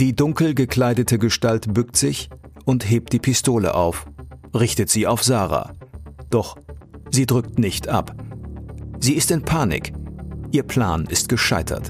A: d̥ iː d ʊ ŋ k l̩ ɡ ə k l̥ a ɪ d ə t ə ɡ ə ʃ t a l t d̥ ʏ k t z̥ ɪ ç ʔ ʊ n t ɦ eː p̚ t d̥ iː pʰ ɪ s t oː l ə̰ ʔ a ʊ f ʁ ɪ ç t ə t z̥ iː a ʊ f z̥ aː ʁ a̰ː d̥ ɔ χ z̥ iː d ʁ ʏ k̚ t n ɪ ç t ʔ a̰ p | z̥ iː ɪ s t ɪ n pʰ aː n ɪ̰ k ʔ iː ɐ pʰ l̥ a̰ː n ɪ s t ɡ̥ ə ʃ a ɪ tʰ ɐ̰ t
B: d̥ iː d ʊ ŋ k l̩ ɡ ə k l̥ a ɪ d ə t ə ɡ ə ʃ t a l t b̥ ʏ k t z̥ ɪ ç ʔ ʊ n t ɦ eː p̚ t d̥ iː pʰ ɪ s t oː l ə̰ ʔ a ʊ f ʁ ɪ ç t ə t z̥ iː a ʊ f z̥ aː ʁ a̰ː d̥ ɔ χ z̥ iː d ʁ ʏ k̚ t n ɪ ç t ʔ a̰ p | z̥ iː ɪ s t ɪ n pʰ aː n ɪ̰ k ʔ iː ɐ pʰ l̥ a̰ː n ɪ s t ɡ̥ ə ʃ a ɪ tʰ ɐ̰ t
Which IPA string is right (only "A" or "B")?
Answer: B